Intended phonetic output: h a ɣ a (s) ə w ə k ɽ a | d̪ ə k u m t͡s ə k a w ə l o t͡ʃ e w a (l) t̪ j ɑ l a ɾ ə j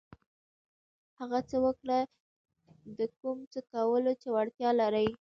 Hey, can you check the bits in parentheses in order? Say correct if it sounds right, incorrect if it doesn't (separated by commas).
incorrect, incorrect